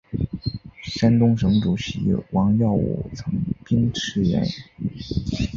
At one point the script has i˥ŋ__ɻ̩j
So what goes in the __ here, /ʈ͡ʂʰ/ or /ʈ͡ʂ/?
ʈ͡ʂʰ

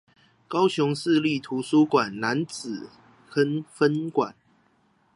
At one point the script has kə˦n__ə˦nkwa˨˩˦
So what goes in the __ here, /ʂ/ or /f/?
f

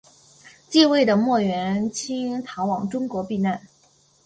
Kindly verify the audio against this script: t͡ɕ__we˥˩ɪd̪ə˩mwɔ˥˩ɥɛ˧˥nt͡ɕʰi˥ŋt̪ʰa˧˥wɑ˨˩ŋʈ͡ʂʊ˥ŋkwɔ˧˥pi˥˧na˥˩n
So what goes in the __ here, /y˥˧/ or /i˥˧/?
i˥˧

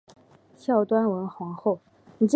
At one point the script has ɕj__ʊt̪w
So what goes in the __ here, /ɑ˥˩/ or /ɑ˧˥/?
ɑ˥˩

